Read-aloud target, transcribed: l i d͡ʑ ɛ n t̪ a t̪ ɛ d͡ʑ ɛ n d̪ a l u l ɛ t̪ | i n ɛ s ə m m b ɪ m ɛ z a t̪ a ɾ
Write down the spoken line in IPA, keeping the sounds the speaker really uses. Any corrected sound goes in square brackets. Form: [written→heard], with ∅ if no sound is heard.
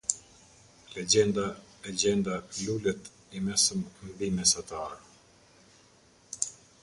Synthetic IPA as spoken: l [i→ɛ] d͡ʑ ɛ n [t̪→d̪] a [t̪→∅] ɛ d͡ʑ ɛ n d̪ a l u l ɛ t̪ | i [n→m] ɛ s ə m m b [ɪ→i] m ɛ [z→s] a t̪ a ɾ